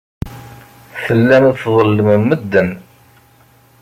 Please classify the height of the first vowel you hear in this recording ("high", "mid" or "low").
mid